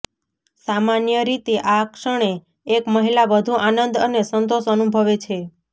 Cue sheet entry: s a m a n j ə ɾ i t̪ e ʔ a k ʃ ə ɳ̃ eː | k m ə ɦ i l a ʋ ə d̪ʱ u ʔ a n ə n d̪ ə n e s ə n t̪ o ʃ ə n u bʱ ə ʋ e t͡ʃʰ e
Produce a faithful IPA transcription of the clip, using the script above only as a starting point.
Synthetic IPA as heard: s a m a n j ə ɾ i t̪ e ʔ a k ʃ ə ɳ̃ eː | k m ə ɦ i l a ʋ ə d̪ʱ u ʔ a n ə n d̪ ə n e s ə n t̪ o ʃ ə n u bʱ ə ʋ e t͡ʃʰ e